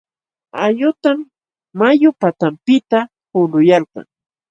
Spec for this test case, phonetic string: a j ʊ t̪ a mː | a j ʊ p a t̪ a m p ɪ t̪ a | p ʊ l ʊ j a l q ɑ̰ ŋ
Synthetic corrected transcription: a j ʊ t̪ a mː | a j ʊ p a t̪ a m p ɪ t̪ a | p ʊ l ʊ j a l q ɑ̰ ŋ